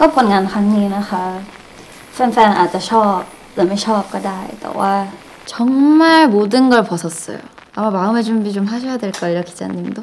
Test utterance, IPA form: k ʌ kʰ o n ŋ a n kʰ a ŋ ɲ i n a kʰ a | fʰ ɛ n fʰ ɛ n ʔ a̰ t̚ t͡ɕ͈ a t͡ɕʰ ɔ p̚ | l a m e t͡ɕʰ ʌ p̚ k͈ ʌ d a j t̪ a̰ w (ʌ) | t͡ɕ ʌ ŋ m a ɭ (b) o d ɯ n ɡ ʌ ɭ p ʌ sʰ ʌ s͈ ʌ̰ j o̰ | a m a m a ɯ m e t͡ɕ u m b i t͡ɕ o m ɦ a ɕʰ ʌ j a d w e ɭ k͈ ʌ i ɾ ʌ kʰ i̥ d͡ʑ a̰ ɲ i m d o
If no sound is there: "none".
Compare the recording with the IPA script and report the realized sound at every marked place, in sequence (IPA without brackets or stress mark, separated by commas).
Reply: a, m